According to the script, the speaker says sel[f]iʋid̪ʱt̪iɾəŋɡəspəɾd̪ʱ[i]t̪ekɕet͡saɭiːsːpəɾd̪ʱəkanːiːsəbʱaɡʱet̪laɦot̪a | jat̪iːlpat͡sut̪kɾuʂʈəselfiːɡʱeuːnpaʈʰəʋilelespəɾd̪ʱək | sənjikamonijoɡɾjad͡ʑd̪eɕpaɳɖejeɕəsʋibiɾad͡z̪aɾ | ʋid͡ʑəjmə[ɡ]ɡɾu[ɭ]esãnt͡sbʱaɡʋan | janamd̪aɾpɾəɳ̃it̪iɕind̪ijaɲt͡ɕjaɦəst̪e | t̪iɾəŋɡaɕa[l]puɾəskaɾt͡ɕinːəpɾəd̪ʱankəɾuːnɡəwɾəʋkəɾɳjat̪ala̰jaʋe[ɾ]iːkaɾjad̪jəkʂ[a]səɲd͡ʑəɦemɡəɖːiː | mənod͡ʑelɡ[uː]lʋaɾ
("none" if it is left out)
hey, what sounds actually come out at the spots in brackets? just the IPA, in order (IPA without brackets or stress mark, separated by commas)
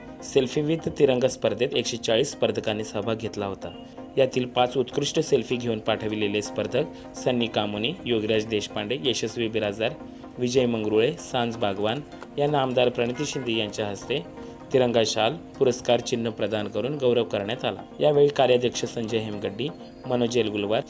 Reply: f, e, ŋ, ɭ, l, ɭ, ə, u